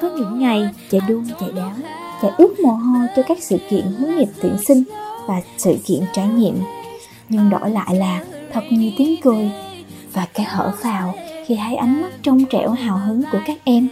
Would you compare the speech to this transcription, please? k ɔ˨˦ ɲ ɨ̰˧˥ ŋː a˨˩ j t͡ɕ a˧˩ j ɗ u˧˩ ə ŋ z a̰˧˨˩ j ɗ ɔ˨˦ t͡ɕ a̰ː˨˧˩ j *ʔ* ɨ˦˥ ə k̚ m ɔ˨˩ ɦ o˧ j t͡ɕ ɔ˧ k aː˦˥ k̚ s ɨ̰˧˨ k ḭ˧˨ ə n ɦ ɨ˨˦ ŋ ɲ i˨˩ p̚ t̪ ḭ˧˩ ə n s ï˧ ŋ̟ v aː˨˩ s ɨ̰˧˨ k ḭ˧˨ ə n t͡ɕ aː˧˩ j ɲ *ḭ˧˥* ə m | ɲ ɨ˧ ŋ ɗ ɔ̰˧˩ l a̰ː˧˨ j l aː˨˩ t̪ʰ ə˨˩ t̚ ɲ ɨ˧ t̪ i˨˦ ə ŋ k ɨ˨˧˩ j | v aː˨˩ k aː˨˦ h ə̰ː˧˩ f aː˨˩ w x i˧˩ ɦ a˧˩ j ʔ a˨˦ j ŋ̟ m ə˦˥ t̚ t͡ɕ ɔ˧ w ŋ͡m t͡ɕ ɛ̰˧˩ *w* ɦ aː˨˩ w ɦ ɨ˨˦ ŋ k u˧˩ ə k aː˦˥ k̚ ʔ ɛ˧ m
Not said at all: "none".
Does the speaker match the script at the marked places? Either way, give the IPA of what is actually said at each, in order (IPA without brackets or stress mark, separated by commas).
ʔ, ḭ˧˨, w